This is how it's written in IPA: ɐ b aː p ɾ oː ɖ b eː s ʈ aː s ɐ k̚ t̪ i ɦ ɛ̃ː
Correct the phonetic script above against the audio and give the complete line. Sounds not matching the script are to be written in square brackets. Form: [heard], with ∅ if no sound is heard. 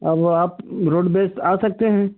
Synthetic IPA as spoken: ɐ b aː p ɾ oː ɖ b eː s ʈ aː s ɐ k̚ t̪ [e] ɦ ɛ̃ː